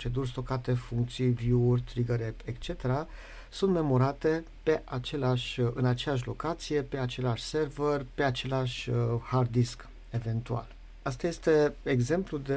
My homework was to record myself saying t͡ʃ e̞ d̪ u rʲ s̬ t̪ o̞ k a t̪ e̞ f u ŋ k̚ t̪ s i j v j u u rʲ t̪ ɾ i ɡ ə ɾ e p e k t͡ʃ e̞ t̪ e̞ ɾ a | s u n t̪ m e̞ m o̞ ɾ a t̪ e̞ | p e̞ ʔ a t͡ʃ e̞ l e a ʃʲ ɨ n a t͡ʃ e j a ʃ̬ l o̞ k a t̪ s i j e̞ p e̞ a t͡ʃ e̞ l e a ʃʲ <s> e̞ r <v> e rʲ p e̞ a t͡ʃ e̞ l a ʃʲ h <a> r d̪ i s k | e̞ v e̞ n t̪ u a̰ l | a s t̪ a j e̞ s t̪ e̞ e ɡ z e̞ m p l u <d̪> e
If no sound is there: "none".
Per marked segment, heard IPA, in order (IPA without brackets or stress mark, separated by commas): s, v, a, d̪